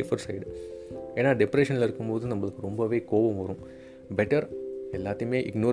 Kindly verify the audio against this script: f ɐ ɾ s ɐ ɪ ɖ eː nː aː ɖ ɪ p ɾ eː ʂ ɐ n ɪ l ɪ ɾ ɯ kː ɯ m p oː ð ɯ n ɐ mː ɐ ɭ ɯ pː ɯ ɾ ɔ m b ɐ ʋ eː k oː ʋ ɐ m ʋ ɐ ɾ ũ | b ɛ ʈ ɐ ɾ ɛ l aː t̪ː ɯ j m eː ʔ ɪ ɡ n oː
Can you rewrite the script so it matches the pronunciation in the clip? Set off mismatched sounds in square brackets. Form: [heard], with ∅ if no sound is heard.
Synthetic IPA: f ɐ ɾ s ɐ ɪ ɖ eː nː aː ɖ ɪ p ɾ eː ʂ ɐ n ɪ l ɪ ɾ ɯ kː ɯ m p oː ð ɯ n ɐ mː ɐ ɭ ɯ [kː] ɯ ɾ ɔ m b ɐ ʋ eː k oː ʋ ɐ m ʋ ɐ ɾ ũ | b ɛ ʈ ɐ ɾ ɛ [lː] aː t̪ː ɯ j m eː ʔ ɪ ɡ n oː